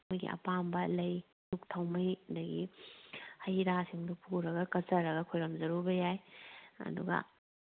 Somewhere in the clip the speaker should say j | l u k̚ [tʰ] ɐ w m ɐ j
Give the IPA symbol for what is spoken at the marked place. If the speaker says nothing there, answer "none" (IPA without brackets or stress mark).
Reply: tʰ